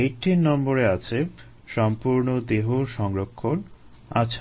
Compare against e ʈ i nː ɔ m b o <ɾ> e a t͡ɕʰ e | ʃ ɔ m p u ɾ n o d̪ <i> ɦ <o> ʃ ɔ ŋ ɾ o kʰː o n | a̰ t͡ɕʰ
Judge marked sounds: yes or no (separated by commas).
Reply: yes, no, yes